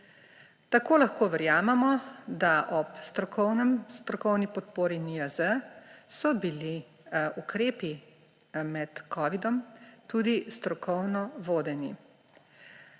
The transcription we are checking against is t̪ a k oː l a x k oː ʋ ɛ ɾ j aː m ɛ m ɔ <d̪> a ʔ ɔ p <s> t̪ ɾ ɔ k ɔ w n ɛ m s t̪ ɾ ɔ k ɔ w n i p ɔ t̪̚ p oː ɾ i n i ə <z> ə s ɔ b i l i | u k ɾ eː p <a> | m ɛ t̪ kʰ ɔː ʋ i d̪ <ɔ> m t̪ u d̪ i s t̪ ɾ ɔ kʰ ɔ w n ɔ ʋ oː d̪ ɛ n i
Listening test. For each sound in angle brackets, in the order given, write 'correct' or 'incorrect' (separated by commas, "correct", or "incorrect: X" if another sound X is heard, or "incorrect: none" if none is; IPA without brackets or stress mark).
correct, correct, correct, incorrect: i, correct